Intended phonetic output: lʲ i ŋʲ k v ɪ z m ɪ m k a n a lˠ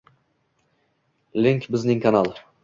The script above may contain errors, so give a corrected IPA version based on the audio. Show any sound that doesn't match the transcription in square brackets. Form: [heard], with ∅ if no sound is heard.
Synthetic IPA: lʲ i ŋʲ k [b] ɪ z [n] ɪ [ŋ] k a n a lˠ